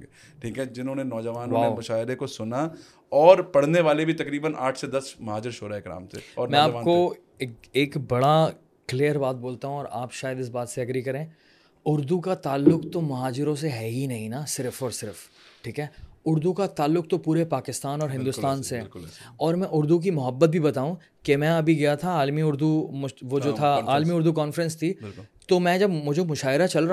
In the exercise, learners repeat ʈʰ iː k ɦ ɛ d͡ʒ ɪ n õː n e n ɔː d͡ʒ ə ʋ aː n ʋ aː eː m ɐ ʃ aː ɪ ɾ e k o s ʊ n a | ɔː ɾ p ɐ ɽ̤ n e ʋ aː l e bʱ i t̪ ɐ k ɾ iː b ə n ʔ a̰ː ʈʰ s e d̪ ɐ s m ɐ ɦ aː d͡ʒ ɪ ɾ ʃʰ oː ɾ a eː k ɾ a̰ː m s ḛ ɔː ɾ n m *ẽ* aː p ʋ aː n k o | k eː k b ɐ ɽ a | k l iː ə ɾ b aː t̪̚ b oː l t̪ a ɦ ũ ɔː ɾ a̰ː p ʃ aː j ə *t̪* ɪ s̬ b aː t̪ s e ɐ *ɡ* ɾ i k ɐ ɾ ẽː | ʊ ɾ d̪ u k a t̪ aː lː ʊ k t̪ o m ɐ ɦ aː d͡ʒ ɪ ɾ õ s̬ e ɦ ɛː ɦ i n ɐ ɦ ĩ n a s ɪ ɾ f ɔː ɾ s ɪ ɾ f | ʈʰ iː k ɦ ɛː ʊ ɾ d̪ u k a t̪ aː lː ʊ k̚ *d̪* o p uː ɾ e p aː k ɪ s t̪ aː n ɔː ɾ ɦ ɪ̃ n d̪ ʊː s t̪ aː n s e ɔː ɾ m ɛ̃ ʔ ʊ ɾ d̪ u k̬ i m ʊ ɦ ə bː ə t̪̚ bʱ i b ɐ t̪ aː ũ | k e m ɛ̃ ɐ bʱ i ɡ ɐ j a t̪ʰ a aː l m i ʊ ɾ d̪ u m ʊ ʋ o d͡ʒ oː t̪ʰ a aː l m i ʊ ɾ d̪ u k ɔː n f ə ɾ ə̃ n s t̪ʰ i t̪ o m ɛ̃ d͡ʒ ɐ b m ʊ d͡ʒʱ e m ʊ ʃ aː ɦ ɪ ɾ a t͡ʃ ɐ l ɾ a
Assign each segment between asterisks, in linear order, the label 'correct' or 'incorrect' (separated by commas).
incorrect, incorrect, correct, incorrect